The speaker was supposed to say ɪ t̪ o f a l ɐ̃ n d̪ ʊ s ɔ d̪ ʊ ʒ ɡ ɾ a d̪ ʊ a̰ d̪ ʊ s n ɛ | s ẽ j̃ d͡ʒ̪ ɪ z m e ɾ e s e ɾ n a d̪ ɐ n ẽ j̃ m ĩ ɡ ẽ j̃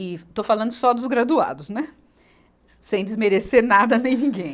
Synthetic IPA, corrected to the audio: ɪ t̪ o f a l ɐ̃ n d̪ ʊ s ɔ d̪ ʊ z ɡ ɾ a d̪ u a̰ d̪ ʊ s n ɛ | s ẽ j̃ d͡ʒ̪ ɪ z m e ɾ e s e ɾ n a d̪ ɐ n ẽ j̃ n ĩ ɡ ẽ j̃